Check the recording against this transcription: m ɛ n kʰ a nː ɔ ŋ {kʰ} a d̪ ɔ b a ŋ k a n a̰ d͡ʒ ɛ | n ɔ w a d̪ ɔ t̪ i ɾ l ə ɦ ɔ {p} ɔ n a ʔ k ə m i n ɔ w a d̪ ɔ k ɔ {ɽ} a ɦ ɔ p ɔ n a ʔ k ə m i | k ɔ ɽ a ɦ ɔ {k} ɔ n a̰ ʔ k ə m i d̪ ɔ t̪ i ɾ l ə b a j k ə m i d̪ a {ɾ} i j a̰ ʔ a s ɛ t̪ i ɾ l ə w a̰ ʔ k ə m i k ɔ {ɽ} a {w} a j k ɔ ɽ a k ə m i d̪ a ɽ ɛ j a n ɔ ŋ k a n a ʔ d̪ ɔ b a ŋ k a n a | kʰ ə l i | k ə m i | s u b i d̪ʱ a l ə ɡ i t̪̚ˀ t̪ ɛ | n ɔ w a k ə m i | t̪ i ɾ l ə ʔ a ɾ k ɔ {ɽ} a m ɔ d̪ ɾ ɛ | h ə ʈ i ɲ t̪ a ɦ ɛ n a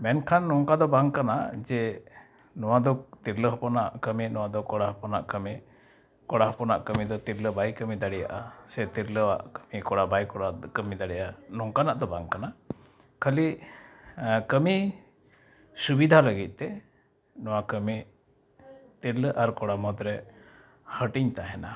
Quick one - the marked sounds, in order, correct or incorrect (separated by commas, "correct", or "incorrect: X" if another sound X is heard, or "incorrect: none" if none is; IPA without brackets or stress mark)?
incorrect: k, correct, correct, incorrect: p, incorrect: ɽ, correct, incorrect: b, correct